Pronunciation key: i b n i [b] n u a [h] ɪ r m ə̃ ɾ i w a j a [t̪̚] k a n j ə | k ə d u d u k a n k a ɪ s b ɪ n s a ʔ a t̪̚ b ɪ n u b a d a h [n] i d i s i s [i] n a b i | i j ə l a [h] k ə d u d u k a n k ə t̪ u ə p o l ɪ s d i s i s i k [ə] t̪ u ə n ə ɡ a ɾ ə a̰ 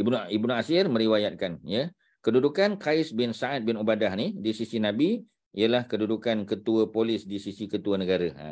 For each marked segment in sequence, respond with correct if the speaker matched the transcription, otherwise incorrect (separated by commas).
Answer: correct, incorrect, correct, correct, correct, correct, correct